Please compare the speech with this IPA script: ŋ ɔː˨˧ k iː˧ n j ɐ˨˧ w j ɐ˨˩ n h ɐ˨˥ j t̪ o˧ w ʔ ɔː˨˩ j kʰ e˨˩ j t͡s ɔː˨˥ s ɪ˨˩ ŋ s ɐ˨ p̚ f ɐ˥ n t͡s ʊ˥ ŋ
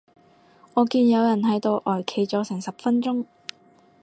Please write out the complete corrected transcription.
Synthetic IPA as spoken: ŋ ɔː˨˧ k iː˧ n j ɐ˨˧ w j ɐ˨˩ n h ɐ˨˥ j t̪ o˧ w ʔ ɔː˨˩ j kʰ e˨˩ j t͡s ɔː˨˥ s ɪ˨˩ ŋ s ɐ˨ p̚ f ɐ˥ n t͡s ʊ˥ ŋ